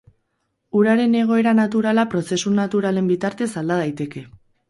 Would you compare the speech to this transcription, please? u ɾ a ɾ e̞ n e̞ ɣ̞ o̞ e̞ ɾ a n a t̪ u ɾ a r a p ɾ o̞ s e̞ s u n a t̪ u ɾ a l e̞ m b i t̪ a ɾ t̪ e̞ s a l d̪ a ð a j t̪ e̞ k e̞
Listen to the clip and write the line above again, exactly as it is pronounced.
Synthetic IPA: u ɾ a ɾ e̞ n e̞ ɣ̞ o̞ e̞ ɾ a n a t̪ u ɾ a l a p ɾ o̞ s e̞ s u n a t̪ u ɾ a l e̞ m b i t̪ a ɾ t̪ e̞ s a l d̪ a ð a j t̪ e̞ k e̞